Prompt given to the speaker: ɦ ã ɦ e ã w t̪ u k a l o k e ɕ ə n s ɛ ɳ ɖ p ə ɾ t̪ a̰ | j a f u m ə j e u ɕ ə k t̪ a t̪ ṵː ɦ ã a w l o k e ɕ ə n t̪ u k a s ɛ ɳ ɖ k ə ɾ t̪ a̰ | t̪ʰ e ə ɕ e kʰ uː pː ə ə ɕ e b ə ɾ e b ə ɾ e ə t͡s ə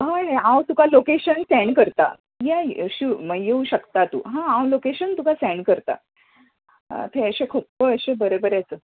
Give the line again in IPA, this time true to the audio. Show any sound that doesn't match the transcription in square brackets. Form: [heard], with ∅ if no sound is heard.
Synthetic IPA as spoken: ɦ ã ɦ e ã w t̪ u k a l o k e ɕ ə n s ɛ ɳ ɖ [k] ə ɾ t̪ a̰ | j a [ɕ] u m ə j e u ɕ ə k t̪ a t̪ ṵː ɦ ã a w l o k e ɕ ə n t̪ u k a s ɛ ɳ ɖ k ə ɾ t̪ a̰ | t̪ʰ e ə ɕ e kʰ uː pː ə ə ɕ e b ə ɾ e b ə ɾ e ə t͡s ə